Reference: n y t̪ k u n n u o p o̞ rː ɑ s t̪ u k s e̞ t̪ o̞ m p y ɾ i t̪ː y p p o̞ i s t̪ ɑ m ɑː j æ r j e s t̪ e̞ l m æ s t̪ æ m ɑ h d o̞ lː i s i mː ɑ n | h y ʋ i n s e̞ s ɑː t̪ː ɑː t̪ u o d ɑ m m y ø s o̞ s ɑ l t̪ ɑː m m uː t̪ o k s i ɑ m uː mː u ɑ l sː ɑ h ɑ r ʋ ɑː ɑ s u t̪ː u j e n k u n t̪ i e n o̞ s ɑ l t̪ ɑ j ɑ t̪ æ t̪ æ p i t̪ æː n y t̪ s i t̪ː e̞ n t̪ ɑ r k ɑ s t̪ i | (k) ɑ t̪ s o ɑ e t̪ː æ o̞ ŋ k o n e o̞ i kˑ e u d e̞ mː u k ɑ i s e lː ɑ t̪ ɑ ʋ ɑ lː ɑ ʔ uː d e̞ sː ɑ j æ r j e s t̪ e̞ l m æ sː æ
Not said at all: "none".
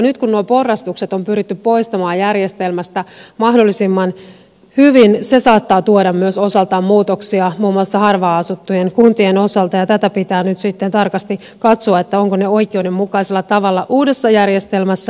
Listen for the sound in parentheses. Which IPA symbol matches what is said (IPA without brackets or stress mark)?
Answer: k